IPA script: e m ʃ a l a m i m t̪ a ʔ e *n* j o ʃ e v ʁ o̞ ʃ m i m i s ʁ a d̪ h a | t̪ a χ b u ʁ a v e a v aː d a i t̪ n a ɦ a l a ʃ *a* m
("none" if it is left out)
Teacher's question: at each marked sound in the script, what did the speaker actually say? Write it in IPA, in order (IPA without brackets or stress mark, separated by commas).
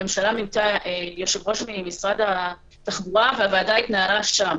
none, a